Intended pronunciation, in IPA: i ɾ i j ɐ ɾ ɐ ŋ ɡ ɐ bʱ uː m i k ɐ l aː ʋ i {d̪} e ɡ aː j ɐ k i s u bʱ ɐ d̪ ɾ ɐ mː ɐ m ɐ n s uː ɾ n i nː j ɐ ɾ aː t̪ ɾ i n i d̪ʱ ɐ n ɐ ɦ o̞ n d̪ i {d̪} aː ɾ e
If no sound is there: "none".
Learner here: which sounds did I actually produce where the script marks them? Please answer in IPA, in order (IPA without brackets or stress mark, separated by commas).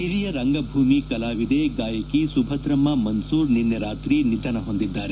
d̪, d̪ː